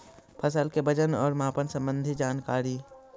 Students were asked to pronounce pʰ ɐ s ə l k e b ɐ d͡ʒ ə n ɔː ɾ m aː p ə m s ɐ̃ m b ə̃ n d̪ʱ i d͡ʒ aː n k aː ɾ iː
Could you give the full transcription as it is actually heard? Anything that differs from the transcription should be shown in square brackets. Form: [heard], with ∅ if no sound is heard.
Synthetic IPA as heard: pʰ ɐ s ə l k e b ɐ d͡ʒ ə n ɔː ɾ m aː p ə [n] s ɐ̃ m b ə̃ n d̪ʱ i d͡ʒ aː n k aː ɾ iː